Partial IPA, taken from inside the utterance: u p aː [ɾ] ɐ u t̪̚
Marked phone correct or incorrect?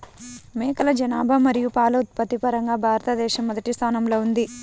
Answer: incorrect